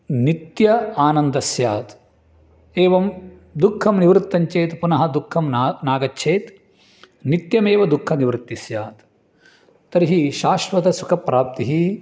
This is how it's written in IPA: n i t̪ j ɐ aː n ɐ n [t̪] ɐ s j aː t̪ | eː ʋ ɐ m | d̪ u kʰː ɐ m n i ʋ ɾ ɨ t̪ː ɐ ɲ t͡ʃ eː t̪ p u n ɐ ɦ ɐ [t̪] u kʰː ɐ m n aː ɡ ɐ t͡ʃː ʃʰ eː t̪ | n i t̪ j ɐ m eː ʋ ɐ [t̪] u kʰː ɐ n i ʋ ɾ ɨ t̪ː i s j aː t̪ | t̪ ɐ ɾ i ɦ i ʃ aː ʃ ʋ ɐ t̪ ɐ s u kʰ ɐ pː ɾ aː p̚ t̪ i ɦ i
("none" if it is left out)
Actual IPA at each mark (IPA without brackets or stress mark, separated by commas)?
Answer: d̪, d̪, d̪